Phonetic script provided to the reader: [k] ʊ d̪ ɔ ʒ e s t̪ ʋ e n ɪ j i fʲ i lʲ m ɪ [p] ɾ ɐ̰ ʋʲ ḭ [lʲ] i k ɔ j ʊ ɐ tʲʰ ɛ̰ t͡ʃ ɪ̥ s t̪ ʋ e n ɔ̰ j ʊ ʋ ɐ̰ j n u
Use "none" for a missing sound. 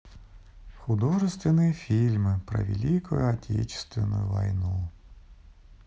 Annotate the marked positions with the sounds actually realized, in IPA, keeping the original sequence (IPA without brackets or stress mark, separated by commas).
x, p, lʲ